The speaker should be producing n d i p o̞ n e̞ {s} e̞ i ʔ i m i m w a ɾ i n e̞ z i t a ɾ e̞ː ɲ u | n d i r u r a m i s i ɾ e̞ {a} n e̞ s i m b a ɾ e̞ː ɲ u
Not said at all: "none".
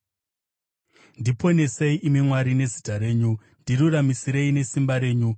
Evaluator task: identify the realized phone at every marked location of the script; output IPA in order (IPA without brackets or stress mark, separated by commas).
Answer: s, i